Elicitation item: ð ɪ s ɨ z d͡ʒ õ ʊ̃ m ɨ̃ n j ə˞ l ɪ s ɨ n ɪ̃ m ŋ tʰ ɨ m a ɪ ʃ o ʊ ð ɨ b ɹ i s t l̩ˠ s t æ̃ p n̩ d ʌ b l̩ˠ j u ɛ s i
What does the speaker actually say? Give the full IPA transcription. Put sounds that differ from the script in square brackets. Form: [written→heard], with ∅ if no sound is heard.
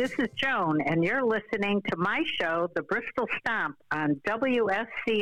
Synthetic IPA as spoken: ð ɪ s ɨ z d͡ʒ õ ʊ̃ [m→n] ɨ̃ n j ə˞ l ɪ s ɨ n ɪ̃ [m→∅] ŋ tʰ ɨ m a ɪ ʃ o ʊ ð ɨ b ɹ [i→ɪ] s t l̩ˠ s t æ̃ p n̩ d ʌ b l̩ˠ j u ɛ s i